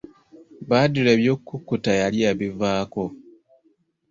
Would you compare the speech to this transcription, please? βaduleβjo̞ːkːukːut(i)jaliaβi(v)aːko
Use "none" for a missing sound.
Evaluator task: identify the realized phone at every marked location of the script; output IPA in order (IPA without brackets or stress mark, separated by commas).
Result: a, v